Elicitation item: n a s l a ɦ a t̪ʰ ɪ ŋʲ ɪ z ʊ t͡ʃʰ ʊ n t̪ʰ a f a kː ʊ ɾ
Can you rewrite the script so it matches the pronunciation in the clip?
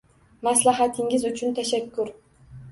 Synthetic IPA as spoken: m a s l a ɦ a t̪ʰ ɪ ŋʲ ɪ z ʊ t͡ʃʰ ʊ n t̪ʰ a ʃ a kː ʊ ɾ